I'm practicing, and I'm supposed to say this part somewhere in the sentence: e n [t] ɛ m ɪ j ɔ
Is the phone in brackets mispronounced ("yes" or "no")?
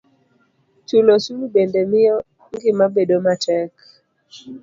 yes